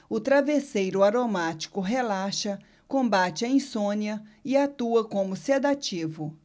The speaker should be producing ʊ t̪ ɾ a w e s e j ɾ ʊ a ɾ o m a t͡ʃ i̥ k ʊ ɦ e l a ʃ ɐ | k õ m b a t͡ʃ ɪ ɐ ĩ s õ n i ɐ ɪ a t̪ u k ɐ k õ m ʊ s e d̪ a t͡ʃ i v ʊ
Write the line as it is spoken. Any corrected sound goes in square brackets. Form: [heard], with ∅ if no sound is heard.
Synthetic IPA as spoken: ʊ t̪ ɾ a [v] e s e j ɾ ʊ a ɾ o m a t͡ʃ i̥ k ʊ ɦ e l a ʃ ɐ | k õ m b a t͡ʃ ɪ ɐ ĩ s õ n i ɐ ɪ a t̪ u [∅] ɐ k õ m ʊ s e d̪ a t͡ʃ i v ʊ